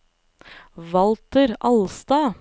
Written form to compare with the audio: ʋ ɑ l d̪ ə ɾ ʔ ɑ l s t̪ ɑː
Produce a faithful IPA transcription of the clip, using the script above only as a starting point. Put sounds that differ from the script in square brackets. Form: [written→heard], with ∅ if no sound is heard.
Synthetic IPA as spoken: ʋ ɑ l [d̪→t̪] ə ɾ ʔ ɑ l s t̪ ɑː